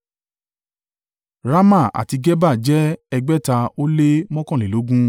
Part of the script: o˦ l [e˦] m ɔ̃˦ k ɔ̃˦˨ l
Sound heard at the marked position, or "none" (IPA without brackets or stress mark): e˦